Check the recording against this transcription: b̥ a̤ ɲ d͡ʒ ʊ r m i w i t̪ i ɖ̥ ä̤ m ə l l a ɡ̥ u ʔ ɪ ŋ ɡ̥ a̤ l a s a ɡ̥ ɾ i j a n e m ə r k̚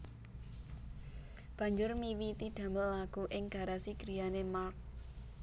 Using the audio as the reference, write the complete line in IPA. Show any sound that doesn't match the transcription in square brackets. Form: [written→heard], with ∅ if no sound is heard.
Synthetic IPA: b̥ a̤ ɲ d͡ʒ ʊ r m i w i t̪ i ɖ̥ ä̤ m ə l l a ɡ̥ u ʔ ɪ ŋ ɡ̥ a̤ [l→ɾ] a s [a→i] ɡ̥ ɾ i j a n e m [ə→a] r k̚